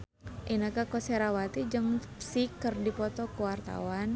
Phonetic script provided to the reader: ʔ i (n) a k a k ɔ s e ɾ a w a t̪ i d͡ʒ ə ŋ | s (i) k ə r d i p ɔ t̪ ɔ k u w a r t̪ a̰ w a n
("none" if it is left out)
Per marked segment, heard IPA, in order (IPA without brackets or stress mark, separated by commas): n, i